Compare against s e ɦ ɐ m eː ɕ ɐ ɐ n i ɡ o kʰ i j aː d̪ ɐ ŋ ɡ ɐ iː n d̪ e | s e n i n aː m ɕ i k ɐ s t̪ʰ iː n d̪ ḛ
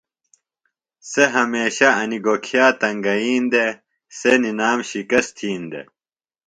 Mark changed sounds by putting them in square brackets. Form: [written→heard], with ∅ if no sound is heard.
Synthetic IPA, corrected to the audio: s e ɦ ɐ m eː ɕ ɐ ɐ n i ɡ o kʰ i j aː [d̪→t̪] ɐ ŋ ɡ ɐ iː n d̪ e | s e n i n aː m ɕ i k ɐ s t̪ʰ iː n d̪ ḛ